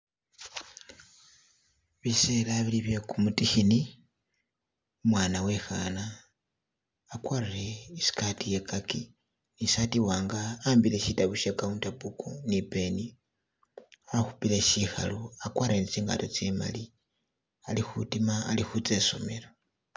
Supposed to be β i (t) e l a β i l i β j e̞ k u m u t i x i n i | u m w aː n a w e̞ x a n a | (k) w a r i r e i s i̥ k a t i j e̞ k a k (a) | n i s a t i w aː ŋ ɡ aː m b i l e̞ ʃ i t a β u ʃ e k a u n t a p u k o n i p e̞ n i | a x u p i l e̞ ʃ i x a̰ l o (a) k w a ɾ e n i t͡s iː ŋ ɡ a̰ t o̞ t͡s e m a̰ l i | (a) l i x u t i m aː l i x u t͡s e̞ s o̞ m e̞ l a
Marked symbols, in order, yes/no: no, yes, no, yes, yes

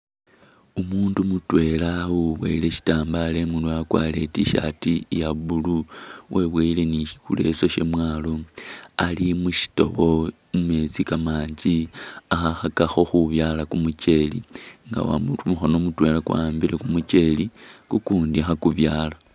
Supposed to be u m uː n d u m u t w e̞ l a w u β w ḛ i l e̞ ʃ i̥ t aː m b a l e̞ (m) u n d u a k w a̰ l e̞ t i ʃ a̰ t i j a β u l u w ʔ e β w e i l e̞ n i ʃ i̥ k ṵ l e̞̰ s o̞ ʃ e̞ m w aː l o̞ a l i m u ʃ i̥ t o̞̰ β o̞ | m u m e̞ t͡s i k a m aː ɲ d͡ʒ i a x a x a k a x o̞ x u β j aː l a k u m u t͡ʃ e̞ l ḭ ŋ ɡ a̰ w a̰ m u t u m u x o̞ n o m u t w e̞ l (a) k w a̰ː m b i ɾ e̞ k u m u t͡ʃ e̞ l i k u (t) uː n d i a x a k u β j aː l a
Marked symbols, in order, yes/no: yes, yes, no

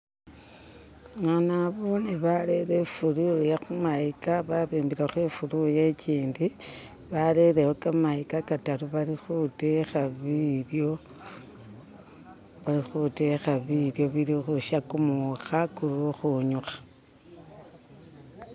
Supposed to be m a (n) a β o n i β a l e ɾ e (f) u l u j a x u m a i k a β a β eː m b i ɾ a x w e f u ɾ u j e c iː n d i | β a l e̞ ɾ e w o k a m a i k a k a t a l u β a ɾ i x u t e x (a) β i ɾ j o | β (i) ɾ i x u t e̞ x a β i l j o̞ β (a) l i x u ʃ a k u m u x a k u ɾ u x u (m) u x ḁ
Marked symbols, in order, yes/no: yes, yes, yes, no, no, no

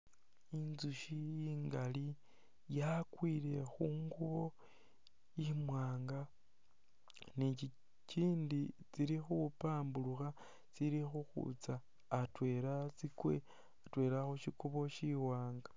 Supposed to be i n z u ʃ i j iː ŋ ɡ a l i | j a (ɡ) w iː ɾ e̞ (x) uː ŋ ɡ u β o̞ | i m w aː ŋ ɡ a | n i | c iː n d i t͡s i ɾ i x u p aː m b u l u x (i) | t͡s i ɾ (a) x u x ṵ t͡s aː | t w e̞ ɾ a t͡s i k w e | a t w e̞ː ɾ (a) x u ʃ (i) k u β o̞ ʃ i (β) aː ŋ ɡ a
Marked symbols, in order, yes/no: no, yes, no, no, yes, yes, no

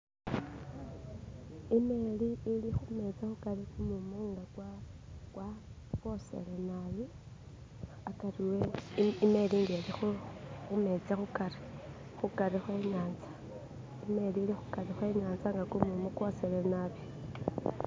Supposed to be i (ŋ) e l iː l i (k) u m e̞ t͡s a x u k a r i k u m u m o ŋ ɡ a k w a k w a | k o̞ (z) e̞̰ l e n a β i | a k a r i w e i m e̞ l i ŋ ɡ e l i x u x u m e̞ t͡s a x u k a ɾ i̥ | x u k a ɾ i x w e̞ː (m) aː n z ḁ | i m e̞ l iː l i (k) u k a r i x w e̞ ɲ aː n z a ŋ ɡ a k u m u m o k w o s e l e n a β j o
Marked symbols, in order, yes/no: no, no, no, no, no

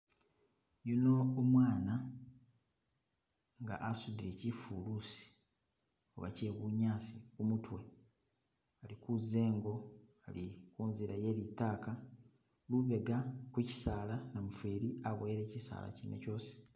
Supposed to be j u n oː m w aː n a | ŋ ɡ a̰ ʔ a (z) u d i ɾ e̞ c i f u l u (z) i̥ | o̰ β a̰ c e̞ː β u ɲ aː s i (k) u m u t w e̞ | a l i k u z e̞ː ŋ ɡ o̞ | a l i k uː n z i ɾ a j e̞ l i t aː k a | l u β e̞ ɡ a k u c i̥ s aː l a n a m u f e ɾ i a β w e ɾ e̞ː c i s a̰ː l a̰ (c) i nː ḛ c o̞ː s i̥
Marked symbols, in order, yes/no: no, no, yes, yes

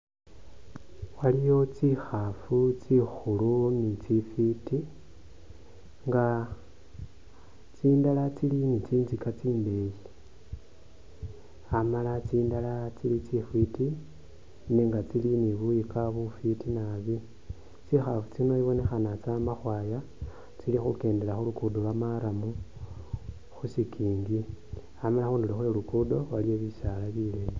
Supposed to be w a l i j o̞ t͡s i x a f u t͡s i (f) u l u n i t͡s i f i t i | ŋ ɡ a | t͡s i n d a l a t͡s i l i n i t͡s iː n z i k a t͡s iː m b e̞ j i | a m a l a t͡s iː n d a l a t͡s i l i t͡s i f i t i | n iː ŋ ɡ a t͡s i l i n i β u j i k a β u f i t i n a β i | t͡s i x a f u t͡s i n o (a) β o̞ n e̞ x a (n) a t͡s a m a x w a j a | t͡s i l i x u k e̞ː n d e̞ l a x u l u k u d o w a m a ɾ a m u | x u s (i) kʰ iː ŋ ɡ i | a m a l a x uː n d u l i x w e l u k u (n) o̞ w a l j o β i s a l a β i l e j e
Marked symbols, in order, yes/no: no, no, yes, yes, no

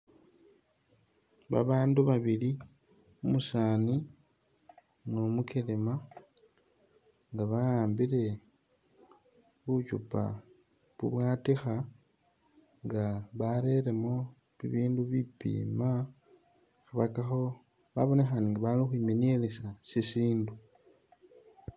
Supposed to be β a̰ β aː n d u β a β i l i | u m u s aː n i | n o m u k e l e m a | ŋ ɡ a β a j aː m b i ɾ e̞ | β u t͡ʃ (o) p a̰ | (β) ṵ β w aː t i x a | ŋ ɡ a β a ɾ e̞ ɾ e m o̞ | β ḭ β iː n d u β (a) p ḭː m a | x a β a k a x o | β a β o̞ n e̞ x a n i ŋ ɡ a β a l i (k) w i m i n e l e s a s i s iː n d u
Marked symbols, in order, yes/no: no, yes, no, no

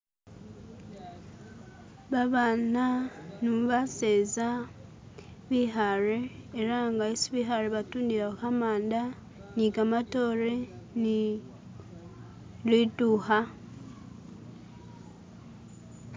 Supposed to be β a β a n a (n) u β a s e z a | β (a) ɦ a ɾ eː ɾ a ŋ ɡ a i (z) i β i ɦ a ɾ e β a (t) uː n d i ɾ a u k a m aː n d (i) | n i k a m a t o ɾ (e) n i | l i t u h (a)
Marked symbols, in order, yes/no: yes, no, no, yes, no, yes, yes

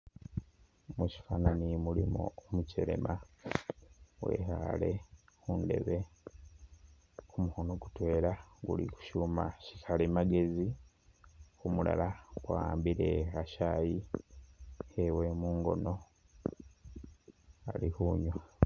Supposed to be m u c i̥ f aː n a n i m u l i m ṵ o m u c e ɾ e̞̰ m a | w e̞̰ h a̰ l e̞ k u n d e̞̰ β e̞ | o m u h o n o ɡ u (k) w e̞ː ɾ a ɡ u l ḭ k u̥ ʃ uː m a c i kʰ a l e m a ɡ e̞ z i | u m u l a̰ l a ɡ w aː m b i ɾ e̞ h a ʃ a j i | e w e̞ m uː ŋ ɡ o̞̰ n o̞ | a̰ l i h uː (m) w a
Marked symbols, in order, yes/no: no, no

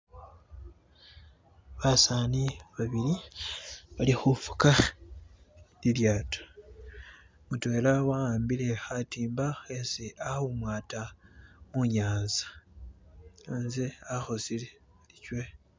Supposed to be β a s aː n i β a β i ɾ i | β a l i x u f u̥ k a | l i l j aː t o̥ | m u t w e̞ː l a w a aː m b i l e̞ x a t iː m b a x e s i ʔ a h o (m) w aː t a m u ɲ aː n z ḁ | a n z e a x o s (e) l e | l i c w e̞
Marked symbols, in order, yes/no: yes, no

